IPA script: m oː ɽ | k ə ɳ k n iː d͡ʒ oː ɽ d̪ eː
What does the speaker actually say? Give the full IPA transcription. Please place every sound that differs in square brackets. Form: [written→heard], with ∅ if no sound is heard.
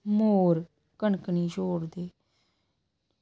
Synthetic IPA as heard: m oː [ɽ→ɾ] | k ə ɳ k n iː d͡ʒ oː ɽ d̪ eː